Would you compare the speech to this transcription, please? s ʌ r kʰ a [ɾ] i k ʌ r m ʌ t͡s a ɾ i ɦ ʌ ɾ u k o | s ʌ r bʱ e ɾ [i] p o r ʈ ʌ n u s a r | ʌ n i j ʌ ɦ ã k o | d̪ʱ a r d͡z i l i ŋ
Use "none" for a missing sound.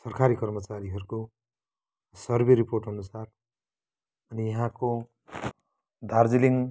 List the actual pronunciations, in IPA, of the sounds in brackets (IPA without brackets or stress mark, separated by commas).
ɾ, i